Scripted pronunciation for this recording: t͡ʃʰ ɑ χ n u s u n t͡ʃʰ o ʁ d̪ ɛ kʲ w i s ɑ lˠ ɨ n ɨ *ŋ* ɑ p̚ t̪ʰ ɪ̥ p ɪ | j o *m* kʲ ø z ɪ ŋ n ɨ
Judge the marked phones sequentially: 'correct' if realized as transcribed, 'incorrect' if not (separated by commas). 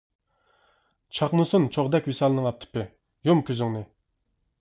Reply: correct, correct